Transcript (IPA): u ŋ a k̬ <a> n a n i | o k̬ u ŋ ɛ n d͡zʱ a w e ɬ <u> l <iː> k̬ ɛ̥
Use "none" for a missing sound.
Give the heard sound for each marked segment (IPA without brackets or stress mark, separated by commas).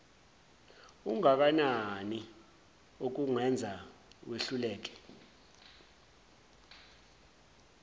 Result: a, u, ɛː